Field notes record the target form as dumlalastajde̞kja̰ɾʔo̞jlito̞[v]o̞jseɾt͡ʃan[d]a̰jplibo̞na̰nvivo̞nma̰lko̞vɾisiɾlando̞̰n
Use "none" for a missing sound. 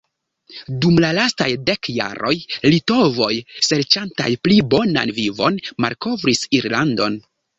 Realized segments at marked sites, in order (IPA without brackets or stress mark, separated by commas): v, t